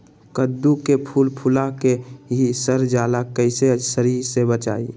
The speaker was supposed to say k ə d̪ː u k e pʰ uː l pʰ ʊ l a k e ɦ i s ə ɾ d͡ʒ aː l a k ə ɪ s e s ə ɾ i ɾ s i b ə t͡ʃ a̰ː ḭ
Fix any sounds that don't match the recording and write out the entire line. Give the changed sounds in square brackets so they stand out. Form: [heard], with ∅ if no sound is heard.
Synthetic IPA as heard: k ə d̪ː u k e pʰ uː l pʰ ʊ l a k e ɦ i s ə ɾ d͡ʒ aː l a k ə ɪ s e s ə ɾ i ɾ s [e] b ə t͡ʃ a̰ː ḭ